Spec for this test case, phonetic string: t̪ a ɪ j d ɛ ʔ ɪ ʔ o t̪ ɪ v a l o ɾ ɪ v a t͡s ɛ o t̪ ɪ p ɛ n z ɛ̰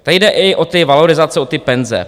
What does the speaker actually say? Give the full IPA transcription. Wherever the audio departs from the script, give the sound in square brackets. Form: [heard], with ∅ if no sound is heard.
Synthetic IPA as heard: t̪ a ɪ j d ɛ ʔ ɪ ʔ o t̪ ɪ v a l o ɾ ɪ [z] a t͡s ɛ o t̪ ɪ p ɛ n z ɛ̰